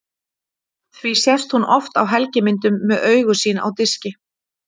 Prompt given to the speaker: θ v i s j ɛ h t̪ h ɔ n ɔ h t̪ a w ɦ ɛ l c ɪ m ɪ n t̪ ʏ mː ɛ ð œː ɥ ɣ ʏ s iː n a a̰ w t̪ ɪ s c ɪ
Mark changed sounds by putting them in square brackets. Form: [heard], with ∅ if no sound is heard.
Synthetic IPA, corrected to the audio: θ v i s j ɛ [s] t̪ h [u] n ɔ [f] t̪ a w ɦ ɛ l c ɪ m ɪ n t̪ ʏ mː ɛ ð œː ɥ ɣ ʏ s iː n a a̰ w t̪ ɪ s c ɪ